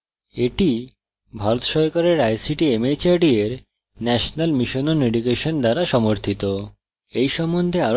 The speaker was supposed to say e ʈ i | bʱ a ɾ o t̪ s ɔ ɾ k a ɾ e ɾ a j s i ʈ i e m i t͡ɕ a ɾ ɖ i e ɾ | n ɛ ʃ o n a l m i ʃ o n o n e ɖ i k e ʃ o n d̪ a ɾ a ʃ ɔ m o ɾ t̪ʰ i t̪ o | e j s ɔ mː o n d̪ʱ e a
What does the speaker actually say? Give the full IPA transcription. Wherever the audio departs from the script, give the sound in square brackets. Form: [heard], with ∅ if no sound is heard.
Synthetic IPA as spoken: e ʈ i | bʱ a ɾ o t̪ [ʃ] ɔ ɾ k a ɾ e ɾ a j s i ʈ i e m [e] t͡ɕ a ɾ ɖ i e ɾ | n ɛ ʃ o n a l m i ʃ o n o n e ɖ i k e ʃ o n d̪ a ɾ a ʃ ɔ m o ɾ t̪ʰ i t̪ o | e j [ʃ] ɔ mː o n d̪ʱ e a